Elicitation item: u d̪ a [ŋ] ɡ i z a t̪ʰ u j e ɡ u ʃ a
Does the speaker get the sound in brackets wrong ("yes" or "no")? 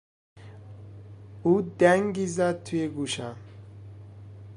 no